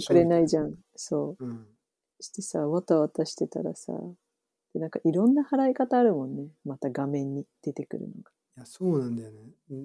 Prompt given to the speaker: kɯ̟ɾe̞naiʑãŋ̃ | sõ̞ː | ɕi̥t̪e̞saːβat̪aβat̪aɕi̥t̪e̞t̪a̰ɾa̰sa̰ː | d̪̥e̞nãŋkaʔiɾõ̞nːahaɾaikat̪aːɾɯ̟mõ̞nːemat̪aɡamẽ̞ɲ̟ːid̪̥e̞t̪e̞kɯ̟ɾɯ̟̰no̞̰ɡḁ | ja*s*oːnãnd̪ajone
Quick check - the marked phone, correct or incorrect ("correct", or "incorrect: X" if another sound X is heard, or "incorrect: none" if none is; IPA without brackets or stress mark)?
correct